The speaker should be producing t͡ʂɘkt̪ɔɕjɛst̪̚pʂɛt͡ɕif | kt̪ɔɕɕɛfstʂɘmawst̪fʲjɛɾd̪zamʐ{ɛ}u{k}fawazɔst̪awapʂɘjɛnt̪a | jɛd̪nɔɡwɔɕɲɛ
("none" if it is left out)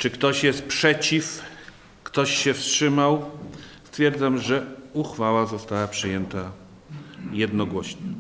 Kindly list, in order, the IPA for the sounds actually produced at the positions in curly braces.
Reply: ɛ, x

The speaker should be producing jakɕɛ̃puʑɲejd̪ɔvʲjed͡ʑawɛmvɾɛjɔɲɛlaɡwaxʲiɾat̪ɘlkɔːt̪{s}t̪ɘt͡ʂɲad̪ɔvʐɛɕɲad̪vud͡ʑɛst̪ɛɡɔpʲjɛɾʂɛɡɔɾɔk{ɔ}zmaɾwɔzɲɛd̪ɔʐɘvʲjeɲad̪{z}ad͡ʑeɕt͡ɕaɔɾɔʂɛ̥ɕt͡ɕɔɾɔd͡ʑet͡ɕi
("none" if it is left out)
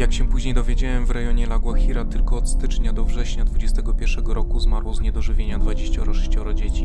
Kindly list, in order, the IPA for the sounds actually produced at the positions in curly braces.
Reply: s, u, v

